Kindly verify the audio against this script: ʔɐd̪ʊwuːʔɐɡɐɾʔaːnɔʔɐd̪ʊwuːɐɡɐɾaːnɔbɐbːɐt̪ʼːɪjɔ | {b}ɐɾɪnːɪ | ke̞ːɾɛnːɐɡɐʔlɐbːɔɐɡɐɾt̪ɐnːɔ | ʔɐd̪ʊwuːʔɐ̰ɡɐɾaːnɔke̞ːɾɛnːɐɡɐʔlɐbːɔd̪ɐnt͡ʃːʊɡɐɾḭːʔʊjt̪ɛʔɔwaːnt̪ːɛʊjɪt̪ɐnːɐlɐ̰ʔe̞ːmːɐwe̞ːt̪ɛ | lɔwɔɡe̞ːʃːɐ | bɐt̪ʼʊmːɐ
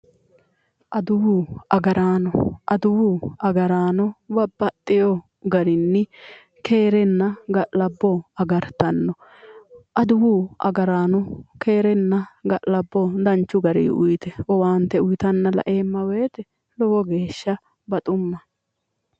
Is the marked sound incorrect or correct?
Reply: incorrect